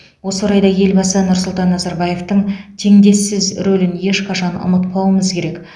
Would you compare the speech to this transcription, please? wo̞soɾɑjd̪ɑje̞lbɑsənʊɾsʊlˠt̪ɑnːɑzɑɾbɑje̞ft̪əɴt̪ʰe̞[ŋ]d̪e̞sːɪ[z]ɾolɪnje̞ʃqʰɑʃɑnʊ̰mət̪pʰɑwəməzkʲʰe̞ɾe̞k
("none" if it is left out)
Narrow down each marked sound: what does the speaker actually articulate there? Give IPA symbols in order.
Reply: ŋ, z

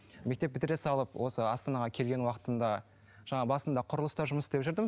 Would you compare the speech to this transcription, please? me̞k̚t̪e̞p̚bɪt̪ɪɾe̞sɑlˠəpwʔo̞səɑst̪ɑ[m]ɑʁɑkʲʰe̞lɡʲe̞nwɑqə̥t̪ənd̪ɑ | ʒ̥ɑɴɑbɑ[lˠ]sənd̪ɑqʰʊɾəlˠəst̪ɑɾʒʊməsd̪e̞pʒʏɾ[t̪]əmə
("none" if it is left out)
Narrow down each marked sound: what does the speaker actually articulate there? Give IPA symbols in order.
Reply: n, none, d̪

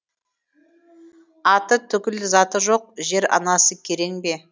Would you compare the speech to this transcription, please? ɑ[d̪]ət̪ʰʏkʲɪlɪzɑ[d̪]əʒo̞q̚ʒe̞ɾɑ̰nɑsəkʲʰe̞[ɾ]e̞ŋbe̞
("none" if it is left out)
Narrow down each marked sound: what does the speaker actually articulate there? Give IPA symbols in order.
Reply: t̪, t̪, ɾ

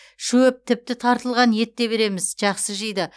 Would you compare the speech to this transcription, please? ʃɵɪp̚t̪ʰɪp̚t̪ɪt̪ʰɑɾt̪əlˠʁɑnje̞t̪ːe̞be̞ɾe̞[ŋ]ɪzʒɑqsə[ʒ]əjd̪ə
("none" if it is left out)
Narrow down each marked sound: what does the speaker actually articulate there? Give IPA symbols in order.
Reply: m, ʒ

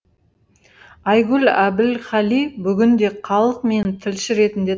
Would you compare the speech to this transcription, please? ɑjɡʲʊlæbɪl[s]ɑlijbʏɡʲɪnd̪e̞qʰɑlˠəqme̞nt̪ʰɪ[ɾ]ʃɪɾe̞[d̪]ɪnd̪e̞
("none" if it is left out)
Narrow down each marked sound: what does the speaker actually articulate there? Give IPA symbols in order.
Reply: χ, l, t̪

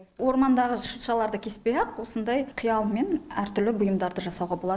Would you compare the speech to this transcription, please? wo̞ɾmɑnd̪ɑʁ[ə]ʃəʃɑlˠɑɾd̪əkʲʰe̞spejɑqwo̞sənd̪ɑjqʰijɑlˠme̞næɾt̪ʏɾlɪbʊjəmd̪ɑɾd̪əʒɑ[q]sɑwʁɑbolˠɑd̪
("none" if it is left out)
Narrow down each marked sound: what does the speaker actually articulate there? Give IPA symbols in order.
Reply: ə, none

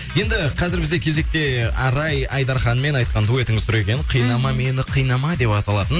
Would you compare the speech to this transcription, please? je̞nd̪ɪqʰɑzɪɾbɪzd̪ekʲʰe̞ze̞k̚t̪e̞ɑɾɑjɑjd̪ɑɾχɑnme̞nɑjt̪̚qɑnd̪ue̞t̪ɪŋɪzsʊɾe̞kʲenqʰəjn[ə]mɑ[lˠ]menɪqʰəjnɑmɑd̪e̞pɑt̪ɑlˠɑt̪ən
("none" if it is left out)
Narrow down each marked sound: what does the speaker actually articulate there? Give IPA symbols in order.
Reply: ɑ, none

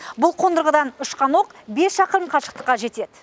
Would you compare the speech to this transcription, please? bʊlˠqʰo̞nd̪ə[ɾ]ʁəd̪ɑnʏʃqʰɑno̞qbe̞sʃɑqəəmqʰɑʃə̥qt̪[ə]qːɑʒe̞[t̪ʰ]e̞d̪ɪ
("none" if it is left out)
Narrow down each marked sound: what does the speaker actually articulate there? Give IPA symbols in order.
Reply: ɾ, ə, t̪

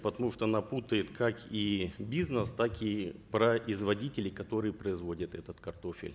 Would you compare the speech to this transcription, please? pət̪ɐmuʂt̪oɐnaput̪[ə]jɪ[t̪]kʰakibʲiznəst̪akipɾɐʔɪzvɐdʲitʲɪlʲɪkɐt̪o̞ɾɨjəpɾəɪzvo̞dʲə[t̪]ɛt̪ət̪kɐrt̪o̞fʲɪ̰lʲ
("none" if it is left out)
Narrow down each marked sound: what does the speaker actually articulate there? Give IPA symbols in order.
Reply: ə, t̪, t̪

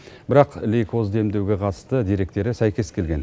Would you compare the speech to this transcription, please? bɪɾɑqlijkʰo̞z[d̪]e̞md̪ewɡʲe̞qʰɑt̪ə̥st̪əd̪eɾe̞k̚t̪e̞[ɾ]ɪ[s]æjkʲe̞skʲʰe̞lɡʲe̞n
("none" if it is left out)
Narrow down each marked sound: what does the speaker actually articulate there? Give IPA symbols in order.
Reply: d̪, ɾ, s

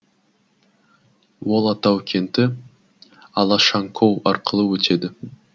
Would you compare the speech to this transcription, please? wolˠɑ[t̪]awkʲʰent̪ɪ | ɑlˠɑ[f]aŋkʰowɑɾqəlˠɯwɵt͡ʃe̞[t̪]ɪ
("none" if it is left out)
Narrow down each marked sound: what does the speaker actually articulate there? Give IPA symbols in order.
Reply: t̪, ʃ, d̪

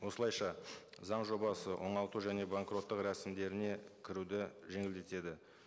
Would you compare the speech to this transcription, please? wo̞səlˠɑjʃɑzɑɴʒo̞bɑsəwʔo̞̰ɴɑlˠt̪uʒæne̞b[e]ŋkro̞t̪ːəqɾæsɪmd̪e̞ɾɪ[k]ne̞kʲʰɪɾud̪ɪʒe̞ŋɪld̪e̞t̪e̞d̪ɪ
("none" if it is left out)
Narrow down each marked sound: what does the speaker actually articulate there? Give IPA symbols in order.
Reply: a, none

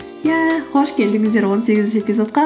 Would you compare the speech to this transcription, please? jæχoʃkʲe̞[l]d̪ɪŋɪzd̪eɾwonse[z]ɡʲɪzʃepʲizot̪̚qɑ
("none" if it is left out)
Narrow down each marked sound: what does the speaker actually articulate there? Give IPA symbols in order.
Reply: l, none

